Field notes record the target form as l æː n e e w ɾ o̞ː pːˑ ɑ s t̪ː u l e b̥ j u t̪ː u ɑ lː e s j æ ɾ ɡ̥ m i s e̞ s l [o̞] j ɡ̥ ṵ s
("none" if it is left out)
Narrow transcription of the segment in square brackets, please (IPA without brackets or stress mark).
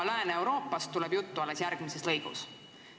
ɤ̞